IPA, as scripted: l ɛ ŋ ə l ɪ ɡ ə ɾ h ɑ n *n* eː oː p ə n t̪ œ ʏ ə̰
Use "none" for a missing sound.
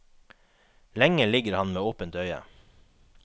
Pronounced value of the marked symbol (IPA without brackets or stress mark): m